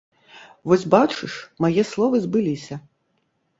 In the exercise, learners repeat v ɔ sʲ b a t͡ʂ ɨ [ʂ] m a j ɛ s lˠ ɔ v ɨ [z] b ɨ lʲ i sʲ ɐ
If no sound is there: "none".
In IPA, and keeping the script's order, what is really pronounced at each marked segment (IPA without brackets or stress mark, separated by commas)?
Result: ʂ, z